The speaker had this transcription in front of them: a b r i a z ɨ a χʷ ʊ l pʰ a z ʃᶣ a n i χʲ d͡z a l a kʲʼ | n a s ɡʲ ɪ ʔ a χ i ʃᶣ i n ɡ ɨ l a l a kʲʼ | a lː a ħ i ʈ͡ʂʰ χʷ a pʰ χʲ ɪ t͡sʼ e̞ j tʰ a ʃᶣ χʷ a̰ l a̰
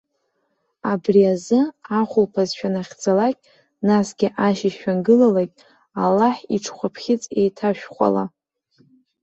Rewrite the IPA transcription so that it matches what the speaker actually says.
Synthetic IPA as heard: a b r i a z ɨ a χʷ ʊ l pʰ a z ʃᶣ a n a χʲ d͡z a l a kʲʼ | n a s ɡʲ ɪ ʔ a ʃ i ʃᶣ a n ɡ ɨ l a l a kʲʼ | a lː a ħ i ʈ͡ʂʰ χʷ a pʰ χʲ ɪ t͡sʼ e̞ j tʰ a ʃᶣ χʷ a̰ l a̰